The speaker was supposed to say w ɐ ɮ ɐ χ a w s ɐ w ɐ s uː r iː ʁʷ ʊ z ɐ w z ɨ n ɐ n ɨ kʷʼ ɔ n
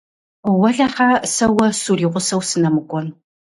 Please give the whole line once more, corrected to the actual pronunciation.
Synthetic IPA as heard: w ɐ ɮ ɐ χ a s ɐ w ɐ s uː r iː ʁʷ ʊ s ɐ w s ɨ n ɐ m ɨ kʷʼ ɔ n